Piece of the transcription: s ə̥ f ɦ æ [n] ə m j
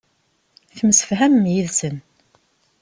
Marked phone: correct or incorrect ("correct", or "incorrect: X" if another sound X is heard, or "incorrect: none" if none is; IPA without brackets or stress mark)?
incorrect: m